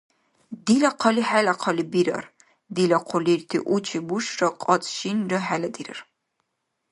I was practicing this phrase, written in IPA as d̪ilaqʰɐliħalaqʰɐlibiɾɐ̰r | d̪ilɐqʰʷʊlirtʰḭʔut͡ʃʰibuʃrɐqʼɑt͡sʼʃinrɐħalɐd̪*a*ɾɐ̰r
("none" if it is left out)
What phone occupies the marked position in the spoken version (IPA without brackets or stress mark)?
i